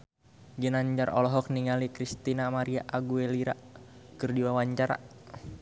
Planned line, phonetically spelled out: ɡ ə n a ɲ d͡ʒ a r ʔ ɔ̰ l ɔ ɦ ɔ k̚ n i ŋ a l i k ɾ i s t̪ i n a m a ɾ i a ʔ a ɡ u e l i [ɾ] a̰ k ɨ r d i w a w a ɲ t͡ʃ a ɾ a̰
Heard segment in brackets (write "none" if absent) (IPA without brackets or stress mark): ɾ